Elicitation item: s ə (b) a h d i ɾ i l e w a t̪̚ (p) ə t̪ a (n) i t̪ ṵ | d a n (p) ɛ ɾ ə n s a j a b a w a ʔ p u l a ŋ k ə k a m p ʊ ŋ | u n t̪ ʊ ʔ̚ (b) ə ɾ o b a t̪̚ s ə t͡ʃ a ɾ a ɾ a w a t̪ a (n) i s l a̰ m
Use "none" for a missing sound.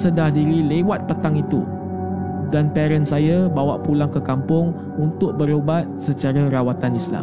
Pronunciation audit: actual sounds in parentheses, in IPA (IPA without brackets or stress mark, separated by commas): d, p, ŋ, p, b, n